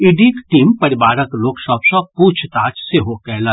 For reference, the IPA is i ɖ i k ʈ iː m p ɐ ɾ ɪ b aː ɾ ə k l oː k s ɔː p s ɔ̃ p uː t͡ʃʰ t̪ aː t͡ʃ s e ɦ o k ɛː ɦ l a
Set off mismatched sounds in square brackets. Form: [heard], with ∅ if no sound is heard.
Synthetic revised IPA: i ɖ i k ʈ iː m p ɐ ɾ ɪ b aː ɾ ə k l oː k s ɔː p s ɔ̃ p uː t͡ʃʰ t̪ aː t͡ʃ s e ɦ o k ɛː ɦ l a